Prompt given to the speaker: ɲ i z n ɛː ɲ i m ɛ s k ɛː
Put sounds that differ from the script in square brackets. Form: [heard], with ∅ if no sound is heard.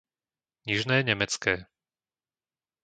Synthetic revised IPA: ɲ i [ʒ] n ɛː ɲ [ɛ] m ɛ [t͡s] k ɛː